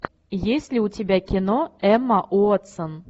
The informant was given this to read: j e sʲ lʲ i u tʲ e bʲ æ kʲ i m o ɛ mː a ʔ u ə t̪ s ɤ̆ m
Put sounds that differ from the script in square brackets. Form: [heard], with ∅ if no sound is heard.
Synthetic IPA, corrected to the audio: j e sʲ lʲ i u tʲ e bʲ æ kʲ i [n] o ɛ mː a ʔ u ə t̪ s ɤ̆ [n]